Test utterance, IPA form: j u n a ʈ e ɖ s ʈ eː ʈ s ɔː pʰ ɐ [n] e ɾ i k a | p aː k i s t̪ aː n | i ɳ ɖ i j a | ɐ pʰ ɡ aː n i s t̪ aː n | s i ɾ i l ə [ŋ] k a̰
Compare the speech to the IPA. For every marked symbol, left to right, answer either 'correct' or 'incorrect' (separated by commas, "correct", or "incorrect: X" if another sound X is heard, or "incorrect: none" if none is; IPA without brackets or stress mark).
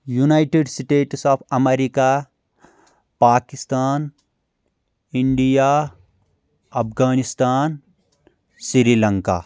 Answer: incorrect: m, correct